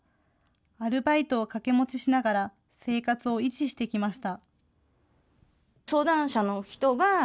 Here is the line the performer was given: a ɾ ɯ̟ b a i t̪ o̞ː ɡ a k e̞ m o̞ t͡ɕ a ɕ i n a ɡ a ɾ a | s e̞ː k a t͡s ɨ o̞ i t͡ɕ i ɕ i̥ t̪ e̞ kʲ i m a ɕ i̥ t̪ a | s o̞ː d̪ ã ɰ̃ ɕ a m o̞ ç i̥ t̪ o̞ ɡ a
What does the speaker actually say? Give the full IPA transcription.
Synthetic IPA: a ɾ ɯ̟ b a i t̪ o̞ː k a k e̞ m o̞ t͡ɕ i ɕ i n a ɡ a ɾ a | s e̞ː k a t͡s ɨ o̞ i t͡ɕ i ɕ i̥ t̪ e̞ kʲ i m a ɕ i̥ t̪ a | s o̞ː d̪ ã ɰ̃ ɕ a n o̞ ç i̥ t̪ o̞ ɡ a